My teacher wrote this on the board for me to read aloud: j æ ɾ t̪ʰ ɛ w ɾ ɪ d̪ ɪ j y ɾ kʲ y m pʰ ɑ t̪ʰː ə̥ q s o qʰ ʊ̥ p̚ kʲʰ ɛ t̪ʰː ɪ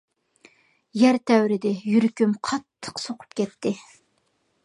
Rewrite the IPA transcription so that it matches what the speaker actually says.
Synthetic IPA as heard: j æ ɾ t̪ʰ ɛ w ɾ ɪ d̪ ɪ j y ɾ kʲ y m qʰ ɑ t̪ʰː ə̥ q s o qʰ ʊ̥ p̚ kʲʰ ɛ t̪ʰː ɪ